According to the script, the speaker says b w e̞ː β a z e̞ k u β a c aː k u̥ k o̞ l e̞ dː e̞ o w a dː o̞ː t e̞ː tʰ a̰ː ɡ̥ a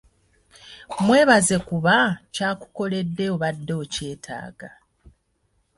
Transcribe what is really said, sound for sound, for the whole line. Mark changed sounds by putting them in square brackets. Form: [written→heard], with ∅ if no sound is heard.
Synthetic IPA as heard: [b→m] w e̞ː β a z e̞ k u β a c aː k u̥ k o̞ l e̞ dː e̞ o [w→β] a dː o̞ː [t→c] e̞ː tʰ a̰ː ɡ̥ a